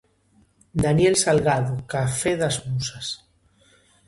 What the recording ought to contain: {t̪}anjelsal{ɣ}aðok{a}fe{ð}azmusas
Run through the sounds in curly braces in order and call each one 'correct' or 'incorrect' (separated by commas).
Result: incorrect, correct, correct, correct